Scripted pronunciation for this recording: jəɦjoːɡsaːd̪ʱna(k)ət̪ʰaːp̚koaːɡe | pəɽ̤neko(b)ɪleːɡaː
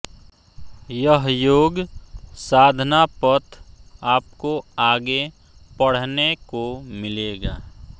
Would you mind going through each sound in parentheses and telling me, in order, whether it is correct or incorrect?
incorrect, incorrect

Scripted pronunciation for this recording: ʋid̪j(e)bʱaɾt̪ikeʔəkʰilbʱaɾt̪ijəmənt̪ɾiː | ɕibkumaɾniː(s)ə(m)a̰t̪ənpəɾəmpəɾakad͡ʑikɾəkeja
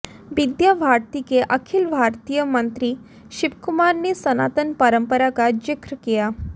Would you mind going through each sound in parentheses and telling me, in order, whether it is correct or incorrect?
incorrect, correct, incorrect

